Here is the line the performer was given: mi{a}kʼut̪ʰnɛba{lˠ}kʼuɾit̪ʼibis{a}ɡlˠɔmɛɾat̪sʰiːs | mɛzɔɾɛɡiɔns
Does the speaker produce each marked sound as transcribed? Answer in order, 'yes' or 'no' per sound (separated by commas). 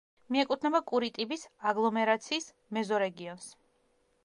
no, no, yes